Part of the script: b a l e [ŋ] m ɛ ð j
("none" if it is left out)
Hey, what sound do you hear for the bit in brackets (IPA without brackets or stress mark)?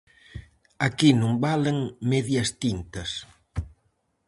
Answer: ŋ